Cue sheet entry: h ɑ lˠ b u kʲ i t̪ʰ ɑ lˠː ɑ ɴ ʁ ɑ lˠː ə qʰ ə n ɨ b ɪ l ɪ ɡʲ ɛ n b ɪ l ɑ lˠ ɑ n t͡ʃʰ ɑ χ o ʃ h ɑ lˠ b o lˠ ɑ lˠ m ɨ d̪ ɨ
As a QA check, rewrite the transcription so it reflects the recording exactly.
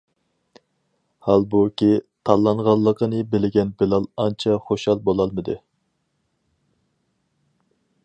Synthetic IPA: h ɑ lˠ b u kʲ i t̪ʰ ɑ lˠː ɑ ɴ ʁ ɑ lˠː ə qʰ ə n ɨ b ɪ l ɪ ɡʲ ɛ n b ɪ l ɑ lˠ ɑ n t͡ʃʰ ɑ χ o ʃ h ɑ lˠ b o lˠ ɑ lˠ m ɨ d̪ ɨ